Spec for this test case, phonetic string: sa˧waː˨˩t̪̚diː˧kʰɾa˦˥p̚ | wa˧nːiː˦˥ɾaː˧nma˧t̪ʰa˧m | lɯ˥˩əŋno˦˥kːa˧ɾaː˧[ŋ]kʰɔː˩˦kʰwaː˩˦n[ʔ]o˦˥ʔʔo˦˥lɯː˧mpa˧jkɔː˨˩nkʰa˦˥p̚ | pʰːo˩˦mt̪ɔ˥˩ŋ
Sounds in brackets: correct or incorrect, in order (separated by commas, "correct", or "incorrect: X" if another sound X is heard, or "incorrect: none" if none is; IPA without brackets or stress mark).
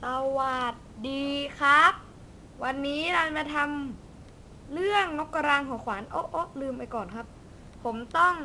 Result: correct, correct